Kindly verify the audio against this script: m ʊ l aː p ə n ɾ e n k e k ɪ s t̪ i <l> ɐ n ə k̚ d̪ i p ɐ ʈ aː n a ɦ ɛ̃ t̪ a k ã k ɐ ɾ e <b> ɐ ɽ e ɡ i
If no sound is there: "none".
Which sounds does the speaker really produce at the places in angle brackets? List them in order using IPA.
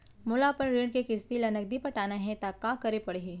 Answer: l, p

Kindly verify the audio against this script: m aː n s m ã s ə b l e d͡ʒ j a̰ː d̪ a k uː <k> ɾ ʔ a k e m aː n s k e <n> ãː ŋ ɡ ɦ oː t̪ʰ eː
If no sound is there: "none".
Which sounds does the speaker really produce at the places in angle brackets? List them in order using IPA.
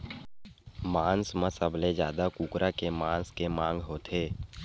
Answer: k, m

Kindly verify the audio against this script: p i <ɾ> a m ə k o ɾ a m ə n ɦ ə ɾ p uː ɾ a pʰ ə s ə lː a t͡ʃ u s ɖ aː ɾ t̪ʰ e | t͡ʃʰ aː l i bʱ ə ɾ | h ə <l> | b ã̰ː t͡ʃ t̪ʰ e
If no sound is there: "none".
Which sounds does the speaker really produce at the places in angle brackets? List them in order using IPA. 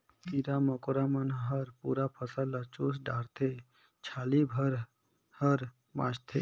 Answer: ɾ, ɾ

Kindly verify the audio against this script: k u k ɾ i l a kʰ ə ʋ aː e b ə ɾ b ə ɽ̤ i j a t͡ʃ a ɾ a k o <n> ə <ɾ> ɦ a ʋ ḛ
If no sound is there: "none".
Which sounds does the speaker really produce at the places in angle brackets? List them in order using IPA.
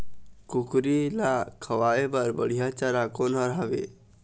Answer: n, ɾ

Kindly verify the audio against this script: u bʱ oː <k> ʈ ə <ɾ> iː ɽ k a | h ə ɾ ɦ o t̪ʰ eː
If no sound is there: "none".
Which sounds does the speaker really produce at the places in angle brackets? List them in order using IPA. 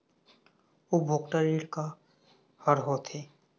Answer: k, ɾ

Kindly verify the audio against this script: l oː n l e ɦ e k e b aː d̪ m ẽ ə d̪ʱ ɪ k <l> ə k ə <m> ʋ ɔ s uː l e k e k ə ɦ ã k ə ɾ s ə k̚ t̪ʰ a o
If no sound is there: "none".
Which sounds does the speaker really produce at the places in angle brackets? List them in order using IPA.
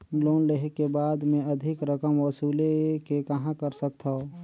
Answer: ɾ, m

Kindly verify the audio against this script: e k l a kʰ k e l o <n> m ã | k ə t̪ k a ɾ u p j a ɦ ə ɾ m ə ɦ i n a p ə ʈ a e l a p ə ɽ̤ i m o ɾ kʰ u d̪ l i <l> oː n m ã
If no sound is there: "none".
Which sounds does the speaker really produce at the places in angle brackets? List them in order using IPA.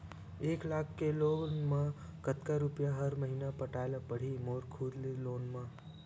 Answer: n, l

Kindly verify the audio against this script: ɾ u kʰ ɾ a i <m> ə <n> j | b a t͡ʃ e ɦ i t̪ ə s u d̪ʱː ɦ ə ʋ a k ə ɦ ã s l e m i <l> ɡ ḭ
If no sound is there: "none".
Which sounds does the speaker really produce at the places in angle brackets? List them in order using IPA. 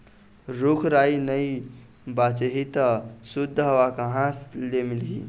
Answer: n, none, l

